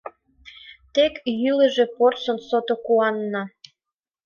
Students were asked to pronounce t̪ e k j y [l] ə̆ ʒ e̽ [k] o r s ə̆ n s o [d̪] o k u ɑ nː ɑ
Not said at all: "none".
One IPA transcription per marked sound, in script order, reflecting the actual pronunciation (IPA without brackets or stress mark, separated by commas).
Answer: l, p, t̪